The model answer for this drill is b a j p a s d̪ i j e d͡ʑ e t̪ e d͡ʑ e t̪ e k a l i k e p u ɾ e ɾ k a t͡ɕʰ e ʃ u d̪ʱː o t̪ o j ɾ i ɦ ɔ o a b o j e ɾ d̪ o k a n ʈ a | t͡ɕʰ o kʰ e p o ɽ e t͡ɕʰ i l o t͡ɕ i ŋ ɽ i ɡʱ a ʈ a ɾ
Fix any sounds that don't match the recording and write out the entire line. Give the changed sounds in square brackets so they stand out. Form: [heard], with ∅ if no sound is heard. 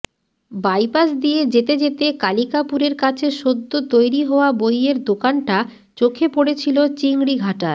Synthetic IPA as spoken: b a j p a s d̪ i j e d͡ʑ e t̪ e d͡ʑ e t̪ e k a l i k [a] p u ɾ e ɾ k a t͡ɕʰ e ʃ [o] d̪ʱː o t̪ o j ɾ i ɦ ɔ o a b o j e ɾ d̪ o k a n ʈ a | [t͡ɕ] o kʰ e p o ɽ e t͡ɕʰ i l o t͡ɕ i ŋ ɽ i ɡʱ a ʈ a ɾ

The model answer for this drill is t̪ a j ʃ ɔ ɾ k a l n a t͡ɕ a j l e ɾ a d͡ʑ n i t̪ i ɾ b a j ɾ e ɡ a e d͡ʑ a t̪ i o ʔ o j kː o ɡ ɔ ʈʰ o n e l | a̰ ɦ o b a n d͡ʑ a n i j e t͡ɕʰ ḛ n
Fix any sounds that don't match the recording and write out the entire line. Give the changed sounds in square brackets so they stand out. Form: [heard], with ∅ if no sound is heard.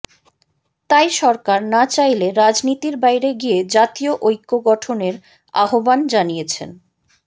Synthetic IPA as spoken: t̪ a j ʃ ɔ ɾ k a [ɾ] n a t͡ɕ a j l e ɾ a d͡ʑ n i t̪ i ɾ b a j ɾ e ɡ [i] e d͡ʑ a t̪ i o ʔ o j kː o ɡ ɔ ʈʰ o n e [ɾ] | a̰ ɦ o b a n d͡ʑ a n i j e t͡ɕʰ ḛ n

